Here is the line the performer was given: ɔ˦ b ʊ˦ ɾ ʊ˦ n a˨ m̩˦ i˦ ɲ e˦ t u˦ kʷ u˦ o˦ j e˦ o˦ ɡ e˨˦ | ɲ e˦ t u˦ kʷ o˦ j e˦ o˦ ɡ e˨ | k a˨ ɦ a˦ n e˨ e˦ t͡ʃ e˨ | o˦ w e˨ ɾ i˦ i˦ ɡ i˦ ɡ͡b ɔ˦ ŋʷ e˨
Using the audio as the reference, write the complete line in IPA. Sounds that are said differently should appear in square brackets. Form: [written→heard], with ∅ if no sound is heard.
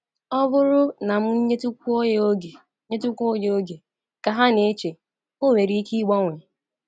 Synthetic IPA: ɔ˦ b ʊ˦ ɾ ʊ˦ n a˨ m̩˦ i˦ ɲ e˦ t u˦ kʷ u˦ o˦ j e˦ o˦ ɡ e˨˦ | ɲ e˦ t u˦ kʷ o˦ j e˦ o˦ ɡ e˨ | k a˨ ɦ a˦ n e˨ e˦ t͡ʃ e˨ | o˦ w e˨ ɾ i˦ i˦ [ɡ→k] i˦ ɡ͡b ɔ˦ ŋʷ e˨